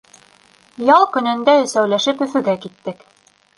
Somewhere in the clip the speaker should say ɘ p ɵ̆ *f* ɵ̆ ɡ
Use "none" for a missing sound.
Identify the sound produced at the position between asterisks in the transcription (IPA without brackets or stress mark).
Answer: f